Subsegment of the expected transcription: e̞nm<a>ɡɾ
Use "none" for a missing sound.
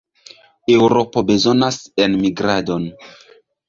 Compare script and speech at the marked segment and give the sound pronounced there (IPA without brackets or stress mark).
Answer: i